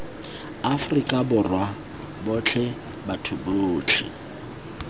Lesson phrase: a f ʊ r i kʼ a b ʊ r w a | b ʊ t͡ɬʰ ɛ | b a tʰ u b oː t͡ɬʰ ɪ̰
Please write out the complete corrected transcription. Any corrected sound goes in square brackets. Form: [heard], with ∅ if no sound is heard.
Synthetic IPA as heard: a f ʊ r i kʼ a b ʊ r w a | b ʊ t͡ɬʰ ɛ | b a tʰ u b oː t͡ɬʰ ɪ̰